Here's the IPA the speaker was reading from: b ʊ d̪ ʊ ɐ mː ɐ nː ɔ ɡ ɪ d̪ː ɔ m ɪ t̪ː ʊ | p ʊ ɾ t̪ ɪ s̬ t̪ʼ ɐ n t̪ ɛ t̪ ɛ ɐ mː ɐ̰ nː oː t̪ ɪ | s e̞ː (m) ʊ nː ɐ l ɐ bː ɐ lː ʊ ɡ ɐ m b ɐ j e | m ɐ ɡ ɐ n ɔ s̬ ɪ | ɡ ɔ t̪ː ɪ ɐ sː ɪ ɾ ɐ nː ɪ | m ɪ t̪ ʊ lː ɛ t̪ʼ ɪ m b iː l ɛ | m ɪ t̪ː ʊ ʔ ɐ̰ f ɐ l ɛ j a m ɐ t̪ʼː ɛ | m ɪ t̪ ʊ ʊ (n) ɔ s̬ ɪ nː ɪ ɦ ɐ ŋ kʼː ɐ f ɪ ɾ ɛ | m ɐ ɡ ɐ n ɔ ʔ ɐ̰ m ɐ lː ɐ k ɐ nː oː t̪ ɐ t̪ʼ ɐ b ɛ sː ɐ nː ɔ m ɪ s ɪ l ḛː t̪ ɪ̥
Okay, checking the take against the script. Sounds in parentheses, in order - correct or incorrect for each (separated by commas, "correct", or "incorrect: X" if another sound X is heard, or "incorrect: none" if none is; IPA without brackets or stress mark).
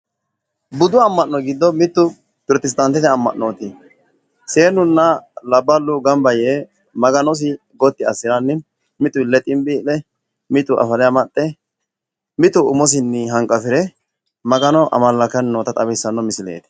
incorrect: n, incorrect: m